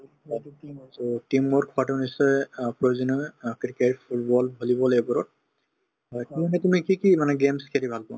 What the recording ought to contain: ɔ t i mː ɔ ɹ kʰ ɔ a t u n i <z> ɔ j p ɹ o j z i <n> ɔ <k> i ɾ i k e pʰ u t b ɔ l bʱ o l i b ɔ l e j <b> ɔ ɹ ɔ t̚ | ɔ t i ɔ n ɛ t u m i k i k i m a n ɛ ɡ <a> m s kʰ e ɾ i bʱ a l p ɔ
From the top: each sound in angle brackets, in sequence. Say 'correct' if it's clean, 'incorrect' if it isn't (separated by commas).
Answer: incorrect, correct, correct, correct, incorrect